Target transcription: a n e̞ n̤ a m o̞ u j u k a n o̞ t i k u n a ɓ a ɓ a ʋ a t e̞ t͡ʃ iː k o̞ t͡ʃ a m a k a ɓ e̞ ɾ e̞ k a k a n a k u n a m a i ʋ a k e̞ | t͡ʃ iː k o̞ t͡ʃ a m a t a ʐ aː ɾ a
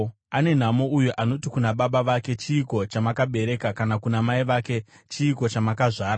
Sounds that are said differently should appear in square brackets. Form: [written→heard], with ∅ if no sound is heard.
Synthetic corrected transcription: a n e̞ n̤ a m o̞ u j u [k→ʔ] a n o̞ t i k u n a ɓ a ɓ a ʋ a [t→k] e̞ t͡ʃ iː k o̞ t͡ʃ a m a k a ɓ e̞ ɾ e̞ k a k a n a k u n a m a i ʋ a k e̞ | t͡ʃ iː k o̞ t͡ʃ a m a [t→k] a ʐ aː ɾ a